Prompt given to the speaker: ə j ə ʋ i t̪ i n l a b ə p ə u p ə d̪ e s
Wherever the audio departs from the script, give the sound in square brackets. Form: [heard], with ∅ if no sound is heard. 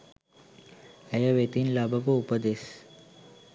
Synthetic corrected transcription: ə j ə ʋ [e] t̪ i n l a b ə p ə u p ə d̪ e s